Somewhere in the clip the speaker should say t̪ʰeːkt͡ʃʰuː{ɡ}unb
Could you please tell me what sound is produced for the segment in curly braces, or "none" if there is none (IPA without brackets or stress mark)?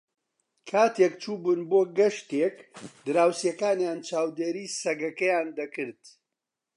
b